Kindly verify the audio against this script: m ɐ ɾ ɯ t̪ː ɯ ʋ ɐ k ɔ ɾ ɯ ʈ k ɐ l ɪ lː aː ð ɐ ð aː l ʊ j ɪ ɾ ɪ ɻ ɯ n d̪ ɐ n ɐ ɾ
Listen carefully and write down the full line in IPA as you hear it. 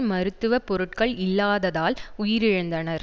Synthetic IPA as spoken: m ɐ ɾ ɯ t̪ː ɯ ʋ ɐ p ɔ ɾ ɯ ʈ k ɐ ɭ ɪ lː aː ð ɐ ð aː l ʊ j ɪ ɾ ɪ ɻ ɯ n d̪ ɐ n ɐ ɾ

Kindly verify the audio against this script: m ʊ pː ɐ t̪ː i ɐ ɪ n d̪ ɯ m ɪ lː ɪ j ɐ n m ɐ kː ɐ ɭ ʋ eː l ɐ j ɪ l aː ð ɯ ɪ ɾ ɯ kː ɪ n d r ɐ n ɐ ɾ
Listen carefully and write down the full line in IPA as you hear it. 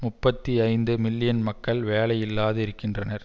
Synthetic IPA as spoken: m ʊ pː ɐ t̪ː i ɐ ɪ n d̪ ɯ m ɪ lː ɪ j ɐ n m ɐ kː ɐ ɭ ʋ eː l ɐ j ɪ lː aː ð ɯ ɪ ɾ ɯ kː ɪ n d r ɐ n ɐ ɾ

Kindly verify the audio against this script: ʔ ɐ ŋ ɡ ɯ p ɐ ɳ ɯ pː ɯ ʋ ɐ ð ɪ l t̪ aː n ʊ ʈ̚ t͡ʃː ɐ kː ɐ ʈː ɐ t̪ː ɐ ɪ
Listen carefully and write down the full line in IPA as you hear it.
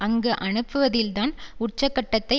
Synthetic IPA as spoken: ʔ ɐ ŋ ɡ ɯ ʔ ɐ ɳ ɯ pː ɯ ʋ ɐ ð ɪ l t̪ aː n ʊ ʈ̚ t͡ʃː ɐ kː ɐ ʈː ɐ t̪ː ɐ ɪ

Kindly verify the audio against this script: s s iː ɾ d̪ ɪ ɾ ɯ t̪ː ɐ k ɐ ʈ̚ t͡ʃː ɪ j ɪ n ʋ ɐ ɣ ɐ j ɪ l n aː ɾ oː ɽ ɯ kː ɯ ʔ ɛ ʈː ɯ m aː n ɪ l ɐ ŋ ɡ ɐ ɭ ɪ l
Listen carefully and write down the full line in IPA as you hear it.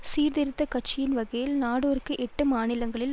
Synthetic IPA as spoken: s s iː ɾ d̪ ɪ ɾ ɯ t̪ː ɐ k ɐ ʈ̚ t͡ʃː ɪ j ɪ n ʋ ɐ ɣ ɐ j ɪ l n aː ɽ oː ɾ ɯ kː ɯ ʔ ɛ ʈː ɯ m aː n ɪ l ɐ ŋ ɡ ɐ ɭ ɪ l

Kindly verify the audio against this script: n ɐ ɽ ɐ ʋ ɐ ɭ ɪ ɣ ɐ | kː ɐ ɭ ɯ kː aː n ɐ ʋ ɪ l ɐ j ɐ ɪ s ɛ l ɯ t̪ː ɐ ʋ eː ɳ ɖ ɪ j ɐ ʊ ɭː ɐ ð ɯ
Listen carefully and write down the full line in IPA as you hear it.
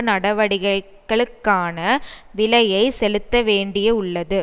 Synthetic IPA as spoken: n ɐ ɽ ɐ ʋ ɐ ɽ ɪ ɣ ɐ | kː ɐ ɭ ɯ kː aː n ɐ ʋ ɪ l ɐ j ɐ ɪ s ɛ l ɯ t̪ː ɐ ʋ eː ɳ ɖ ɪ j ɐ ʊ ɭː ɐ ð ɯ

